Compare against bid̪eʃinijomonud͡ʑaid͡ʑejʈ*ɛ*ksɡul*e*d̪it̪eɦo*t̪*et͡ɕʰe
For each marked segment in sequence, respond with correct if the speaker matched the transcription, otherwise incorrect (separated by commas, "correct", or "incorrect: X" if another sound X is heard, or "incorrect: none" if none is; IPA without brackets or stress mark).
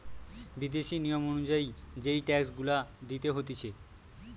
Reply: correct, incorrect: a, correct